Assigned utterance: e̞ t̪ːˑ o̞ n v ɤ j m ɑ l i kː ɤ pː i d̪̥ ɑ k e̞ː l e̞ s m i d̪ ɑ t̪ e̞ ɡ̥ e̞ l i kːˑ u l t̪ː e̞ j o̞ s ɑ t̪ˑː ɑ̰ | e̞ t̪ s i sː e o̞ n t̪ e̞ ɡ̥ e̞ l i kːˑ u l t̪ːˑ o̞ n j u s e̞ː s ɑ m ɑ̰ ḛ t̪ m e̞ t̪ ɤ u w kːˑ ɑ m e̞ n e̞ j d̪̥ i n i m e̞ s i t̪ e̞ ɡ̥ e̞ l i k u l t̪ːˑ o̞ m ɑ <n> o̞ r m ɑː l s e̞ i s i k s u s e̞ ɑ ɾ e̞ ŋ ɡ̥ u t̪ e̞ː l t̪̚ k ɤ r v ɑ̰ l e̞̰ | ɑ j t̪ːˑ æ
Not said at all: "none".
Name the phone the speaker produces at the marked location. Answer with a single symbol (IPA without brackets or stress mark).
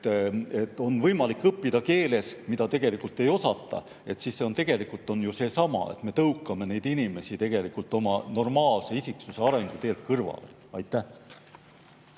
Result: n